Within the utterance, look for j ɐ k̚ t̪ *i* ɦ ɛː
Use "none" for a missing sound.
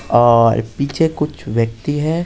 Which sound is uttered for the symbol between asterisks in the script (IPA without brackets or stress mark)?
i